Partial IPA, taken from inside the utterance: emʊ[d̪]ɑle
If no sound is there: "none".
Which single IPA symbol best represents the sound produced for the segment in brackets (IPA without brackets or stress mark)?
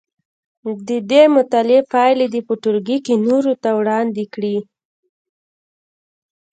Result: t̪